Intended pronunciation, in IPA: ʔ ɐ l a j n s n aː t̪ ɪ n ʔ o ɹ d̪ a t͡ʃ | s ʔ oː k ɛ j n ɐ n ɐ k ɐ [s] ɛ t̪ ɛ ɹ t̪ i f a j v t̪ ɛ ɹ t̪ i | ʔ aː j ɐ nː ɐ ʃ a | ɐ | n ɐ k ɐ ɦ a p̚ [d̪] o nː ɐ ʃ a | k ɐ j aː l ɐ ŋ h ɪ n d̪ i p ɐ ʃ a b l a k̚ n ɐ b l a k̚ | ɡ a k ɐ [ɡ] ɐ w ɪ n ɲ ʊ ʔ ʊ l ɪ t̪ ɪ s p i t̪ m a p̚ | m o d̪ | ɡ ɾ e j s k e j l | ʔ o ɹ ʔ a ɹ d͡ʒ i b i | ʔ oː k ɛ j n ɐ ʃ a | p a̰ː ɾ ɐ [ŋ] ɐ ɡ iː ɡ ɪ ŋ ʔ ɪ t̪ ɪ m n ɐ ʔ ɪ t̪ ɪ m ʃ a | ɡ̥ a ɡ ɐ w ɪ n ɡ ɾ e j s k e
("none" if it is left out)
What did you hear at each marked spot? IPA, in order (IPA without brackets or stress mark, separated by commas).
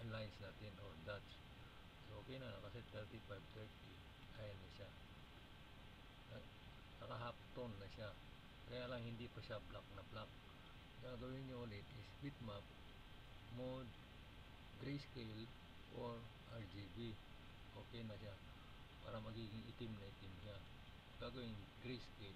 s, t̪, ɡ, m